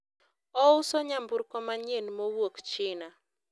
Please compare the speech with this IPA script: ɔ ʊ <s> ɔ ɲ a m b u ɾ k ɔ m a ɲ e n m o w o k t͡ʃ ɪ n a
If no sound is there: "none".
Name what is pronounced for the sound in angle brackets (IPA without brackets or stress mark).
s